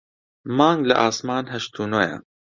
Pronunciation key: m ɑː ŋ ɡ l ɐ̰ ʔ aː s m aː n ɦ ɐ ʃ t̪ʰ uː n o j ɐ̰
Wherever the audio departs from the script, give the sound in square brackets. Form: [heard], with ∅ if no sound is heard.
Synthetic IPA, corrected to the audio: m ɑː ŋ ɡ l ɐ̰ ʔ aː s m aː n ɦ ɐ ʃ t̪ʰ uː n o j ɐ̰